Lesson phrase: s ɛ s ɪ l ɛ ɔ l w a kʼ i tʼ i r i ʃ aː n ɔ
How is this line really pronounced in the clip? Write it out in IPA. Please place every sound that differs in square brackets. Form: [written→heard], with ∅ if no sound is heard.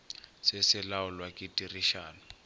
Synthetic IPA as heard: s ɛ s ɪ l [ɛ→a] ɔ l w a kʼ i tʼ i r i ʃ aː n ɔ